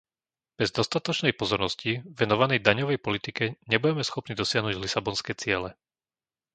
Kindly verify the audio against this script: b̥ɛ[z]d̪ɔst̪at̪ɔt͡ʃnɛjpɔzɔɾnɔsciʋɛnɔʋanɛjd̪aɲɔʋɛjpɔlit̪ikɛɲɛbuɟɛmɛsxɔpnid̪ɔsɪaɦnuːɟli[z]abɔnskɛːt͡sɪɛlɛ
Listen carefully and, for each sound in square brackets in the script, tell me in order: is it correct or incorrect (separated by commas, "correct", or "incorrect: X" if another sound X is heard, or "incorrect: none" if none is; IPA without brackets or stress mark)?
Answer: correct, incorrect: s